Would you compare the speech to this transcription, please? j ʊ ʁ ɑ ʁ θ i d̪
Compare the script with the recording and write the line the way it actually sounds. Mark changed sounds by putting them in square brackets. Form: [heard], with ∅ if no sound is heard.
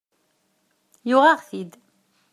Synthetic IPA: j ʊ ʁ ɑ ʁ θ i d̪

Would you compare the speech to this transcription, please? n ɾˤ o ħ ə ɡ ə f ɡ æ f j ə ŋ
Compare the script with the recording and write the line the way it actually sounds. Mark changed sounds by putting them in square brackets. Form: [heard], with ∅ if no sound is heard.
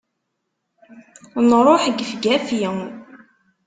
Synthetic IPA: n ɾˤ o ħ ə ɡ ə f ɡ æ f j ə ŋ

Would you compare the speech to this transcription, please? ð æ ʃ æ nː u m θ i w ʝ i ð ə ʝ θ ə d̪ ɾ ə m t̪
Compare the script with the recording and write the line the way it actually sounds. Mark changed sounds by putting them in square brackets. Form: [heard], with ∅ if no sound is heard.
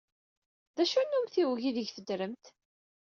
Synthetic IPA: ð æ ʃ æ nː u m θ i w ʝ i ð ə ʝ θ ə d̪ ɾ ə m t̪

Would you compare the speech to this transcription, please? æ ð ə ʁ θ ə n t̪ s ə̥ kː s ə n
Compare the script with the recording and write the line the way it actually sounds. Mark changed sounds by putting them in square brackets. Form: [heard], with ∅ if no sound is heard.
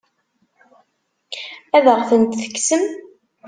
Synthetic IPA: æ ð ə ʁ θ ə n t̪ [θ] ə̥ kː s ə [m]

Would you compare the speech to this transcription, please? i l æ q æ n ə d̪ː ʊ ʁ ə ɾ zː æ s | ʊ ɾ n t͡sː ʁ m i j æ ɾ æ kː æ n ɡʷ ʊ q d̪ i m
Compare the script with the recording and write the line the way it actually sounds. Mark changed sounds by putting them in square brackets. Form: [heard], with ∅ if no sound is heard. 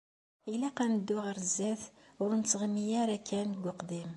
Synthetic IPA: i l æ q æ n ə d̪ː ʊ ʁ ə ɾ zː æ [θ] | ʊ ɾ n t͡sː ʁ m i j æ ɾ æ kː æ n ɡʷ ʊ q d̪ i m

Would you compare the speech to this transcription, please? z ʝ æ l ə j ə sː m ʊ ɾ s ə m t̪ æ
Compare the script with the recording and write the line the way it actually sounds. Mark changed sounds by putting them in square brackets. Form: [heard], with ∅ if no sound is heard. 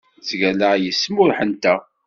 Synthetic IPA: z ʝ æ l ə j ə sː m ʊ ɾ [ħ] ə [n] t̪ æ

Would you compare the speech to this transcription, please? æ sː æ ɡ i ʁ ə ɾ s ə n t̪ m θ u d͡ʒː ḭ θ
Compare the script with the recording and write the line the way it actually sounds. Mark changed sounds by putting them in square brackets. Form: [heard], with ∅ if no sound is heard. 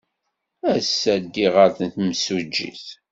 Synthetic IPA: æ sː æ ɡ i ʁ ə ɾ [θ] ə n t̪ m [s] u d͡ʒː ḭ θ

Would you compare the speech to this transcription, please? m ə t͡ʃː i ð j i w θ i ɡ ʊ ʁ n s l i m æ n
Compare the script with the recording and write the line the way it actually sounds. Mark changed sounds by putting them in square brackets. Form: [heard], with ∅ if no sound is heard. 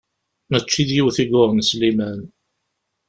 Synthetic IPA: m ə t͡ʃː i ð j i w θ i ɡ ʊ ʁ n s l i m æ n

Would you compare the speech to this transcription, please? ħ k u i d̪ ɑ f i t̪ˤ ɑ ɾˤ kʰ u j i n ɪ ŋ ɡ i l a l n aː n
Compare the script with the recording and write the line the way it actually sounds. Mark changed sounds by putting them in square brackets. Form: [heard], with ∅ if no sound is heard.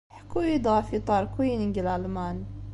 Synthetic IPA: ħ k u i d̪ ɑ f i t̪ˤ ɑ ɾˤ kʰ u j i n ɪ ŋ ɡ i l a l [m] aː n

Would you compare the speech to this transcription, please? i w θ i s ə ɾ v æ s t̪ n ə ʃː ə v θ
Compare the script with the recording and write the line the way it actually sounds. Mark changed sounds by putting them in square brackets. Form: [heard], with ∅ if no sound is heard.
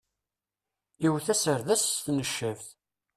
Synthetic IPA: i w θ [æ] s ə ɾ [ð] æ s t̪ n ə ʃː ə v θ

